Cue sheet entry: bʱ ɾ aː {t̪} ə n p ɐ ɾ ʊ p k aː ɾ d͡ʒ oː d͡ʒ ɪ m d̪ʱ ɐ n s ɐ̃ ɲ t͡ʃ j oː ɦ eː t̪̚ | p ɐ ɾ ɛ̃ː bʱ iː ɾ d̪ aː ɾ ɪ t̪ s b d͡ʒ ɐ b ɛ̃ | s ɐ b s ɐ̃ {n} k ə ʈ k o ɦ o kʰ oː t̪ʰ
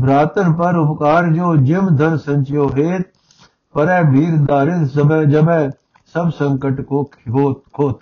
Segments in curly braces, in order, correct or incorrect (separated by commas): correct, incorrect